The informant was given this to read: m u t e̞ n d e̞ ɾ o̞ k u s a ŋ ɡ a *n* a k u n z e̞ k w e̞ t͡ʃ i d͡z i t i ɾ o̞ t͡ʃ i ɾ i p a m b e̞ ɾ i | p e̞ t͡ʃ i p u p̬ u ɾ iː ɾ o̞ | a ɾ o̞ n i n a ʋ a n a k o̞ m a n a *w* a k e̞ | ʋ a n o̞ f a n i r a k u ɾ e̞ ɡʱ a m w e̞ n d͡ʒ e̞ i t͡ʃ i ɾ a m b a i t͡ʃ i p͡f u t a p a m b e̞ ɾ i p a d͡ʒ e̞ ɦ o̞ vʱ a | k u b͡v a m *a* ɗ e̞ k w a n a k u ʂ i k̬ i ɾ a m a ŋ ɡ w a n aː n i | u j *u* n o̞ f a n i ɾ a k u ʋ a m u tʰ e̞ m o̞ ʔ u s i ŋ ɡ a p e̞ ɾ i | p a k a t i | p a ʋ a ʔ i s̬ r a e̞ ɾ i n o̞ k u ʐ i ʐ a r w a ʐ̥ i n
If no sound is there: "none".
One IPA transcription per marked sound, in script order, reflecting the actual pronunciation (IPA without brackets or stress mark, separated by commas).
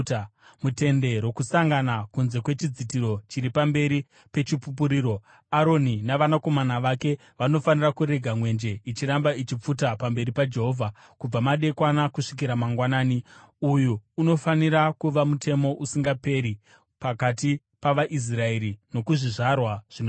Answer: n, ʋ, a, uː